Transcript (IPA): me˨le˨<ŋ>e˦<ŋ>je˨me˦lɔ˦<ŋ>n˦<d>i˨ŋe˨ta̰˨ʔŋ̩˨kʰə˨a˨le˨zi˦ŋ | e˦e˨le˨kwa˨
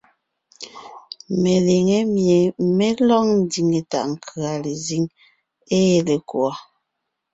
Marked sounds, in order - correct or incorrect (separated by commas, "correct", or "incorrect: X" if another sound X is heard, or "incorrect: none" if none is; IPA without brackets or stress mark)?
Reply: correct, incorrect: m, correct, correct